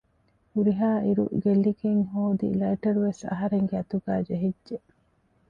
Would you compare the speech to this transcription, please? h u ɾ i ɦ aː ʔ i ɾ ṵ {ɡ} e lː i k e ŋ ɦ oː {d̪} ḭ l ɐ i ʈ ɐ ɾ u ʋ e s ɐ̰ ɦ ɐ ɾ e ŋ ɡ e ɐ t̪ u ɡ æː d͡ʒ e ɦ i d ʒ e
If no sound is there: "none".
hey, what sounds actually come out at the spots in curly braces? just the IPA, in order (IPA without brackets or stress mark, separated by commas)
ɡ, d̪